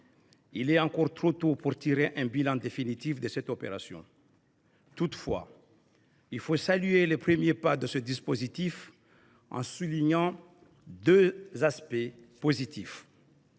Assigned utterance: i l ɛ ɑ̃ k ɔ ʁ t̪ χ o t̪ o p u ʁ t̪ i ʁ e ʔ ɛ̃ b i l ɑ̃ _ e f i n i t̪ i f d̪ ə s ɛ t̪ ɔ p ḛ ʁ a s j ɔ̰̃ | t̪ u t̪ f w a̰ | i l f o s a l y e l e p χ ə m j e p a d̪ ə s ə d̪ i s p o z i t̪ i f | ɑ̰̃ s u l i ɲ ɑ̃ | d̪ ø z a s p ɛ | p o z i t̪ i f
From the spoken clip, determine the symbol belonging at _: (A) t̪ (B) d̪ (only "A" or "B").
B